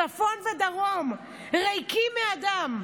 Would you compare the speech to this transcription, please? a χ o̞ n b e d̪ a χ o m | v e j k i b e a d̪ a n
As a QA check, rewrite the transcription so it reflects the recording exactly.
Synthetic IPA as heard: a f o̞ n v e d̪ a ʁ o m | ʁ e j k i m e a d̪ a m